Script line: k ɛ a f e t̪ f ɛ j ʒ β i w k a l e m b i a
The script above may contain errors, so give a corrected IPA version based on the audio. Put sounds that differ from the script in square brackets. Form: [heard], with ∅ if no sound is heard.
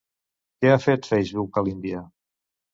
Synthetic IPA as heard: k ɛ a f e t̪ f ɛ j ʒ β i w k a l [i] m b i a